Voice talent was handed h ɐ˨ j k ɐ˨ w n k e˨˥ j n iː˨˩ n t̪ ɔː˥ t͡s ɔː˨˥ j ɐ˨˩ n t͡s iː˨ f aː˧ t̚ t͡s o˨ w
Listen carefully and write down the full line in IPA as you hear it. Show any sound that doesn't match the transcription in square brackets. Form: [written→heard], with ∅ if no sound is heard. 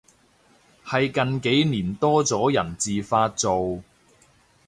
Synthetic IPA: h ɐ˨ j k ɐ˨ [w→∅] n k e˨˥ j n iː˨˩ n t̪ ɔː˥ t͡s ɔː˨˥ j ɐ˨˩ n t͡s iː˨ f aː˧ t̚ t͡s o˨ w